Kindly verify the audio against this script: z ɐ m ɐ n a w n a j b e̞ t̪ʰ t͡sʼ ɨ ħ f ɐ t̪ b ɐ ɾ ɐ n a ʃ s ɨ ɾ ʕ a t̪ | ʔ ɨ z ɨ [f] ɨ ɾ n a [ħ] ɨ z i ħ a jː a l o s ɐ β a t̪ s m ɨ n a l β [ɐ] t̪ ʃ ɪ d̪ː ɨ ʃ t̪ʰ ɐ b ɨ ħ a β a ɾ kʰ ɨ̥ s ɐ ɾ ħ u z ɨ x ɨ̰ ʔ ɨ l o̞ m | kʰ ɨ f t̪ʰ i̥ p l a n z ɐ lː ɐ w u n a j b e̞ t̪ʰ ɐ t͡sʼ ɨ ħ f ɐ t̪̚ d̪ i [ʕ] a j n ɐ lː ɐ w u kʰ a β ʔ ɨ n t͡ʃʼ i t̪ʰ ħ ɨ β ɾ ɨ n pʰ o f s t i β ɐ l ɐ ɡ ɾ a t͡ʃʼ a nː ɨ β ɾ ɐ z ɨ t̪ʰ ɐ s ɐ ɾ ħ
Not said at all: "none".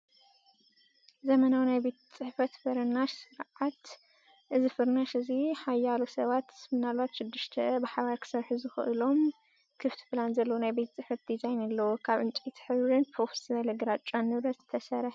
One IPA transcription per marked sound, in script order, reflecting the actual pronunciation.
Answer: f, ʃ, a, z

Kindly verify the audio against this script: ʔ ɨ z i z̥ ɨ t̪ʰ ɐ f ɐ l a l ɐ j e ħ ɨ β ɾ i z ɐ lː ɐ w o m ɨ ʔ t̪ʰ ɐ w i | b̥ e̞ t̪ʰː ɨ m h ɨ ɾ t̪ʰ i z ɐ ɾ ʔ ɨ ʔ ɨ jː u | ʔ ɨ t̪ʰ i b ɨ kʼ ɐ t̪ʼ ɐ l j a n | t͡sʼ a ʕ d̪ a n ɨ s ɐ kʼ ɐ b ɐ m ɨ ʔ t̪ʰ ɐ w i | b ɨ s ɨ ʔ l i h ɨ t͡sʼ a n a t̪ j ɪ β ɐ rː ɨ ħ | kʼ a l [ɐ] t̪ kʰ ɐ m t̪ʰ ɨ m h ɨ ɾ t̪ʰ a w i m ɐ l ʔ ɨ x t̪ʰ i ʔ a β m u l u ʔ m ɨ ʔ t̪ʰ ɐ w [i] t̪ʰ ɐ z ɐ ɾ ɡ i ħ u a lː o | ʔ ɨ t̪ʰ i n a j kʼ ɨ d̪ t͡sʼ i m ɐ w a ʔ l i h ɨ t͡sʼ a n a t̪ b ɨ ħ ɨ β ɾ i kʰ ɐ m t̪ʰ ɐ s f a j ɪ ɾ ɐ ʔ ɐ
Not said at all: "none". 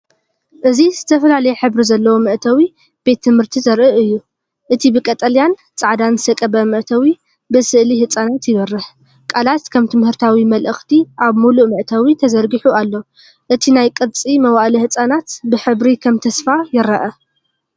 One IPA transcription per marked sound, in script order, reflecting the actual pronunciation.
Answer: a, i

